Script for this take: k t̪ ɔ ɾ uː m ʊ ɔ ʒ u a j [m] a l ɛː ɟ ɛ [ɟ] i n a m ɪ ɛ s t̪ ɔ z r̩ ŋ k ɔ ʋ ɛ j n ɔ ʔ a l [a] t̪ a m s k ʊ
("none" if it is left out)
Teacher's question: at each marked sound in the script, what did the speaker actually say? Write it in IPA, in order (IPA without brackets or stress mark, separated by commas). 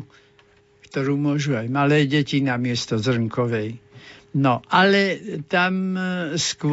m, c, ɛ